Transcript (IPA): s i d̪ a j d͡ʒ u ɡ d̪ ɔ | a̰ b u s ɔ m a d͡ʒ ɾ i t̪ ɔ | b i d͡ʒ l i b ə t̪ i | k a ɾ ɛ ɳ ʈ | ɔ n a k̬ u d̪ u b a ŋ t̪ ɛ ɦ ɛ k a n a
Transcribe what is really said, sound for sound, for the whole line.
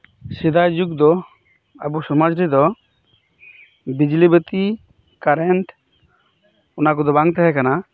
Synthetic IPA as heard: s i d̪ a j d͡ʒ u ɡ d̪ ɔ | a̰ b u s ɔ m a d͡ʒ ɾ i d̪ ɔ | b i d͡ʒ l i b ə t̪ i | k a ɾ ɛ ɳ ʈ | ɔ n a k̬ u d̪ ɔ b a ŋ t̪ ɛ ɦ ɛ k a n a